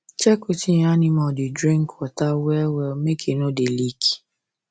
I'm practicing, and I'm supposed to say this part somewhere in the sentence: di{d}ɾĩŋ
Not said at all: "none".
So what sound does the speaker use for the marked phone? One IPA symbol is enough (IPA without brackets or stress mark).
d